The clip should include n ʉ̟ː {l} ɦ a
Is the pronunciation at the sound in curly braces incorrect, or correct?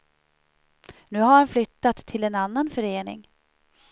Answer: incorrect